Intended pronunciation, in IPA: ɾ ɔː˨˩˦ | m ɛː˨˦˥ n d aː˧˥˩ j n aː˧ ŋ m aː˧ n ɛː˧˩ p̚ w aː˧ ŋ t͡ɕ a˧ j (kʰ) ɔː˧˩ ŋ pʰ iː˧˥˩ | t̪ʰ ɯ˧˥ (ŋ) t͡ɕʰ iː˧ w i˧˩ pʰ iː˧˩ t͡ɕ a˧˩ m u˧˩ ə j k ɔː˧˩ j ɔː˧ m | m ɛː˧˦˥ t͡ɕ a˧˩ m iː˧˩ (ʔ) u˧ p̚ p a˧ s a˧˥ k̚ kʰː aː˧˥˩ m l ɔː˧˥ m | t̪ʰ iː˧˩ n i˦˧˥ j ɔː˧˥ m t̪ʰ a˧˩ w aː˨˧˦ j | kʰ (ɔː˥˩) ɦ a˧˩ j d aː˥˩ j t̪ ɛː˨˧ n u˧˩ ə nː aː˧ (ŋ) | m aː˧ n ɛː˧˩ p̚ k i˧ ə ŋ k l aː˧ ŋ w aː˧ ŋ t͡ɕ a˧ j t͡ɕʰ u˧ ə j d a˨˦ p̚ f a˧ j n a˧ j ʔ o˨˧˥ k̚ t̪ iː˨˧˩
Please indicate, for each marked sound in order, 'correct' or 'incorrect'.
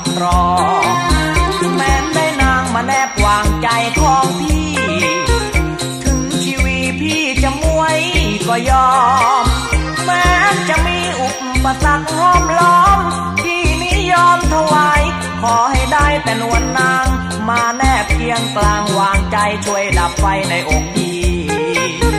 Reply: correct, correct, correct, incorrect, correct

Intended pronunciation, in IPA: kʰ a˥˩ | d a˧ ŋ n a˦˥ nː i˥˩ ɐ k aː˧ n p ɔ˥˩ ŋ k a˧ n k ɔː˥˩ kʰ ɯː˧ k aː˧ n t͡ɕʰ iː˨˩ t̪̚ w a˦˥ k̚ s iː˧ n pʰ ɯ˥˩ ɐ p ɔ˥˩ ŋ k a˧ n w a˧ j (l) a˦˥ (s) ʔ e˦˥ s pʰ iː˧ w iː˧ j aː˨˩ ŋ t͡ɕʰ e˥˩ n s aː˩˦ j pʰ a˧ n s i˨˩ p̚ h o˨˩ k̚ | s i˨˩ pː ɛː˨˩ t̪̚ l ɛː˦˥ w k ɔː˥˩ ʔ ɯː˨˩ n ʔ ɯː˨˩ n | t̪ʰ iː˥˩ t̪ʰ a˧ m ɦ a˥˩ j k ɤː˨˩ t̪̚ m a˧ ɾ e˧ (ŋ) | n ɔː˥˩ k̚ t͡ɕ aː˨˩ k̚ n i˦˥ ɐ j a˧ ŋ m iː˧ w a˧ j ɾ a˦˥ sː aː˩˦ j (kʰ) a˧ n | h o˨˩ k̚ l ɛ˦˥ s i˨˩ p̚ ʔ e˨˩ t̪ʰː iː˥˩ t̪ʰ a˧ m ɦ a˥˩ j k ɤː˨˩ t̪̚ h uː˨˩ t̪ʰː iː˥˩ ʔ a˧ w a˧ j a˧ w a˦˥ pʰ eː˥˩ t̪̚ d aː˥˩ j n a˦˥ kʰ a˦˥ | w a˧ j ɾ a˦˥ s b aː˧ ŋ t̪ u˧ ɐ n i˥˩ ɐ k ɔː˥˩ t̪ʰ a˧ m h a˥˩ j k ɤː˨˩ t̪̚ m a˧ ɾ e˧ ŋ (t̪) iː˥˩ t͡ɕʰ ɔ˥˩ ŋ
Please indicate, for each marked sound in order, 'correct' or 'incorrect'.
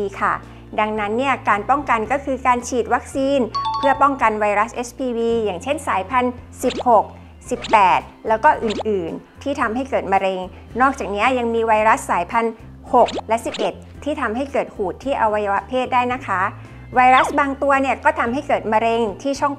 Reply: incorrect, correct, correct, incorrect, incorrect

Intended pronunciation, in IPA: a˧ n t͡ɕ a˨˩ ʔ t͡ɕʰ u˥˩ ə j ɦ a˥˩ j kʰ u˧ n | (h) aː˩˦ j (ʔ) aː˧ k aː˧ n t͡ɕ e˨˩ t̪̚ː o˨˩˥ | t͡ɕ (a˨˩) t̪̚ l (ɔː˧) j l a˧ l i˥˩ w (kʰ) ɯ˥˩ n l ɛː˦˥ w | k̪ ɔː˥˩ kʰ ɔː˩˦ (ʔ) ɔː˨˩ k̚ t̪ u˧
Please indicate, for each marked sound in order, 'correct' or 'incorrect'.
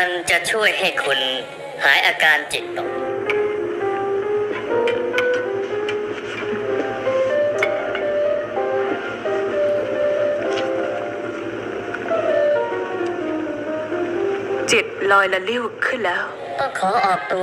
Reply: correct, correct, incorrect, correct, correct, correct

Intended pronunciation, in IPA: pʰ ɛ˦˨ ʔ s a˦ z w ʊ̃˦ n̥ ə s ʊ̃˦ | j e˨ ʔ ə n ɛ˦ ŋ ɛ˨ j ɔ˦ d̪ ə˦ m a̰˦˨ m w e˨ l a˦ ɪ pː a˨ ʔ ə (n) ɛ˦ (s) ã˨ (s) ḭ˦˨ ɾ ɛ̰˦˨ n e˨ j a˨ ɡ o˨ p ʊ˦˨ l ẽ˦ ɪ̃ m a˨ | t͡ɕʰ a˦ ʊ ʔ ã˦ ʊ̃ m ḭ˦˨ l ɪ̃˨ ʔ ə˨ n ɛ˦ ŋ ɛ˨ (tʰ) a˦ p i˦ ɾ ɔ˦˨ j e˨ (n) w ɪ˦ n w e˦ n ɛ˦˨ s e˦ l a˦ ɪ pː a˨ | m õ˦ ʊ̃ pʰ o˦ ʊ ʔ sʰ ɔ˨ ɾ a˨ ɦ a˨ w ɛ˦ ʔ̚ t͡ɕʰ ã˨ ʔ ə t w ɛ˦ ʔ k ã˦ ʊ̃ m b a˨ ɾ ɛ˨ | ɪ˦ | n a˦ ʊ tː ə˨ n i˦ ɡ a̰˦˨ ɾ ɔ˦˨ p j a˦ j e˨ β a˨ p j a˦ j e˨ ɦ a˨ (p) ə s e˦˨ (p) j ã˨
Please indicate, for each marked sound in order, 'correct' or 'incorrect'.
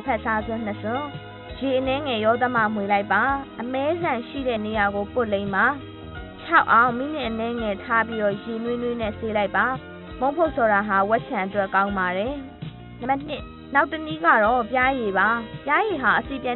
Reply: incorrect, incorrect, incorrect, correct, correct, incorrect, correct

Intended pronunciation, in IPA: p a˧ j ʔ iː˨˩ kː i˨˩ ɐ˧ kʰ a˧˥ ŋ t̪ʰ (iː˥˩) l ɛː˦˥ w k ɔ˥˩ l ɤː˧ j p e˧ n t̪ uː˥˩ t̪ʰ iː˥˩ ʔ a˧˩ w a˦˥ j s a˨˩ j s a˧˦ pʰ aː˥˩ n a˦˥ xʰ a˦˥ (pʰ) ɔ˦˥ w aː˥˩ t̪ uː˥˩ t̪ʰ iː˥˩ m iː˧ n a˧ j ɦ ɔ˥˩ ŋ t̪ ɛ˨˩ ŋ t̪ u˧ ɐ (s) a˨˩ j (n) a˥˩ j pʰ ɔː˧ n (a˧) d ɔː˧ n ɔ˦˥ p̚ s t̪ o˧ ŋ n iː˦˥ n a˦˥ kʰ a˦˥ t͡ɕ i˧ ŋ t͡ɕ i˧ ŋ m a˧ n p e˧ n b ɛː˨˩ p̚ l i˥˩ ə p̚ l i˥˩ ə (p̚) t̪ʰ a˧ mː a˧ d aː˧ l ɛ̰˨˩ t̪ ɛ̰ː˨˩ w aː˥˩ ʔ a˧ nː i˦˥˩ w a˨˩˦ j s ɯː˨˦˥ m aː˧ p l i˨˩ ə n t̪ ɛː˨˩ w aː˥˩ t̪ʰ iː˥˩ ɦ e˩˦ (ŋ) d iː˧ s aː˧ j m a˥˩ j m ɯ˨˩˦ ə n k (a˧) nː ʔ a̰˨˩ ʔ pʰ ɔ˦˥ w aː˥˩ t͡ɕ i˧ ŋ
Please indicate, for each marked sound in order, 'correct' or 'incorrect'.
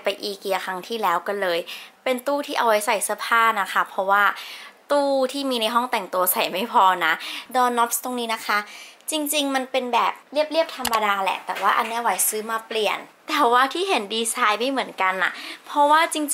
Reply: correct, correct, correct, incorrect, incorrect, correct, incorrect, correct

